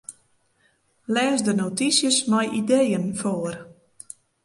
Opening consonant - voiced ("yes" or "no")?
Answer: yes